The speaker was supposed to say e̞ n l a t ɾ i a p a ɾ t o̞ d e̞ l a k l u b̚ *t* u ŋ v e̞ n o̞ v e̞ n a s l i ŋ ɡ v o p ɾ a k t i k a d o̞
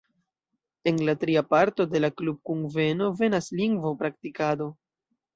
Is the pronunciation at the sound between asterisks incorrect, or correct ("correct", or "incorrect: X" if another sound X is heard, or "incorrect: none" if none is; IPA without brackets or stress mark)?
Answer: incorrect: k